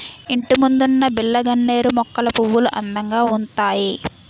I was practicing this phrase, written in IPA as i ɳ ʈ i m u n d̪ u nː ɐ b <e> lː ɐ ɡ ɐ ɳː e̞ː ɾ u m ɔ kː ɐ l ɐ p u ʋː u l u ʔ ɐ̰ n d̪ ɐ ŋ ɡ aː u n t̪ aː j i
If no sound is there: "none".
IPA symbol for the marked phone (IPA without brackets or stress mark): i